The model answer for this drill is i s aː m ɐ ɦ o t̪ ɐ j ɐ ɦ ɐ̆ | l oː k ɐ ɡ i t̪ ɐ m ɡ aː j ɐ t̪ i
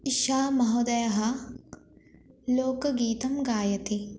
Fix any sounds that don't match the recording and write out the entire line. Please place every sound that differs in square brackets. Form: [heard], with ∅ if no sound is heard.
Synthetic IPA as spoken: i [ʃ] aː m ɐ ɦ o [d̪] ɐ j ɐ ɦ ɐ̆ | l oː k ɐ ɡ [iː] t̪ ɐ m ɡ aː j ɐ t̪ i